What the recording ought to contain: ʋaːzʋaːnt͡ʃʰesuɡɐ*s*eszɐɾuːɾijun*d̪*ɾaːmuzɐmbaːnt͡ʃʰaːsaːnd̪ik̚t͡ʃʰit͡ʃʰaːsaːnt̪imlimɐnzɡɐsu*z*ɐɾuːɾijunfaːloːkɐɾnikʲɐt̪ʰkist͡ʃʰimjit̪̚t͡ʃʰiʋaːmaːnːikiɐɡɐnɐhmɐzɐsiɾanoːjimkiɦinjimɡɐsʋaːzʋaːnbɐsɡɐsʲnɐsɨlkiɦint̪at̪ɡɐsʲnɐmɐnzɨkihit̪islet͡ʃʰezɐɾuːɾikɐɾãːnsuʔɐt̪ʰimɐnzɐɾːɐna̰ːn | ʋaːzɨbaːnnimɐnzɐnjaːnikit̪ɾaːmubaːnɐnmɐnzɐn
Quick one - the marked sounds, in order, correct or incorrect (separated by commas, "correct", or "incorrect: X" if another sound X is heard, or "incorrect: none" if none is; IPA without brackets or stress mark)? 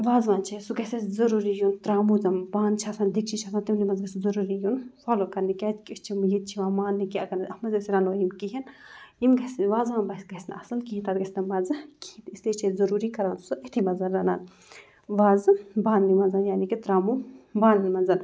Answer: correct, incorrect: t̪, correct